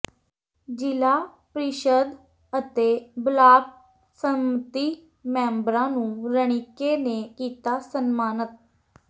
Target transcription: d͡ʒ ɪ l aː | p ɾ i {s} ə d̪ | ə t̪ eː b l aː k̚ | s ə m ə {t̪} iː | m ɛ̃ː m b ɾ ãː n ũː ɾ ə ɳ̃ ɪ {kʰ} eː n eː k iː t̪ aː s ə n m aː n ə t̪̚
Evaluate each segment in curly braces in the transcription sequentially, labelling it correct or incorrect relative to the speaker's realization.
incorrect: ʃ, correct, incorrect: k

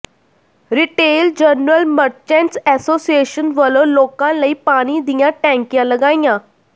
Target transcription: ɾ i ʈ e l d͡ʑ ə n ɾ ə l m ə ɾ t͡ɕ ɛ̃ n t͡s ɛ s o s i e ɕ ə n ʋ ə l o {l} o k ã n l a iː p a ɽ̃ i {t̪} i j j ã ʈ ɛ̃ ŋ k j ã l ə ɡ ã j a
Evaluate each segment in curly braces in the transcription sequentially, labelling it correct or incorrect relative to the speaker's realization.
correct, incorrect: d̪

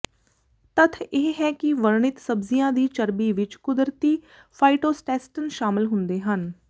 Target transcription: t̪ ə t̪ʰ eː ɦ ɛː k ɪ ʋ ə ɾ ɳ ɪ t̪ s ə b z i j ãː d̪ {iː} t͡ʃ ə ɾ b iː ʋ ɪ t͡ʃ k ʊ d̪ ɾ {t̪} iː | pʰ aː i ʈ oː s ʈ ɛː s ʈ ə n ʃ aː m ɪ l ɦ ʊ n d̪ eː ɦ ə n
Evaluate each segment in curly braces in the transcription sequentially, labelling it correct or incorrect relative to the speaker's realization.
correct, correct

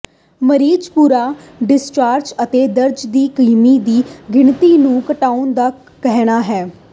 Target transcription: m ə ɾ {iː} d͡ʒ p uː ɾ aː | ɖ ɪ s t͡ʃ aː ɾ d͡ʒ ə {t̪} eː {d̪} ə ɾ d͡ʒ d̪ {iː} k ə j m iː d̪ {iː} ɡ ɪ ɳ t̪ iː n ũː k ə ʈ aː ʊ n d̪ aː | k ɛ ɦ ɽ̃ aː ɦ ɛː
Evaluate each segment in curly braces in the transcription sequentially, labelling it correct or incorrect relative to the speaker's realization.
correct, correct, correct, correct, correct

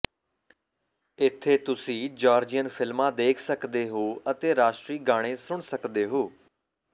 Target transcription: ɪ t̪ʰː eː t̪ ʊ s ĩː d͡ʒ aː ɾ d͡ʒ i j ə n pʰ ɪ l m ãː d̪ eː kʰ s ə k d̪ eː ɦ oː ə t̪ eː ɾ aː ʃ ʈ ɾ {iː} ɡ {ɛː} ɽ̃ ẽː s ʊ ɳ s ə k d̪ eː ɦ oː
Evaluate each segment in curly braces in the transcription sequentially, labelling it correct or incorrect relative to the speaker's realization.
correct, incorrect: aː

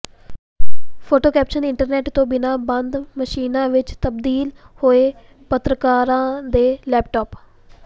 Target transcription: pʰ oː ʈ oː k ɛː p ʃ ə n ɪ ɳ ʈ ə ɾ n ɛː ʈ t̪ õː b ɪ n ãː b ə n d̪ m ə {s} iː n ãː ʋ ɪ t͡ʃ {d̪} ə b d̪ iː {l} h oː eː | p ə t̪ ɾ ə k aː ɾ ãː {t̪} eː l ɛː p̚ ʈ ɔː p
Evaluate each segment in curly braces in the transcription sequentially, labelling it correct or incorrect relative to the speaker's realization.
incorrect: ʃ, incorrect: t̪, correct, incorrect: d̪

